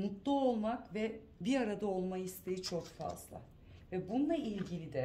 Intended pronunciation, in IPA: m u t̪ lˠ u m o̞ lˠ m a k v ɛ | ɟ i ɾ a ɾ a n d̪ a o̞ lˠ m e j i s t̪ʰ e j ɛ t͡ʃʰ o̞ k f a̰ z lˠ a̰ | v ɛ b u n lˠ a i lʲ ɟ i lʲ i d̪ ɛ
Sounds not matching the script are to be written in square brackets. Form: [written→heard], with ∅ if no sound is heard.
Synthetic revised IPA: m u t̪ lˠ u [m→∅] o̞ lˠ m a k v ɛ | [ɟ→b] i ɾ a ɾ a [n→∅] d̪ a o̞ lˠ m [e→a] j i s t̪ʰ e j [ɛ→i] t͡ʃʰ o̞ k f a̰ z lˠ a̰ | v ɛ b u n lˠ a i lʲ ɟ i lʲ i d̪ ɛ